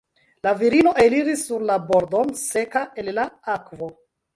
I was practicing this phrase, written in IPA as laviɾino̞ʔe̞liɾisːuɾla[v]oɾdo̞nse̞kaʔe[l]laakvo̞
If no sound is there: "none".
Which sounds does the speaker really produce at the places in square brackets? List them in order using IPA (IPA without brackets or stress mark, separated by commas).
b, l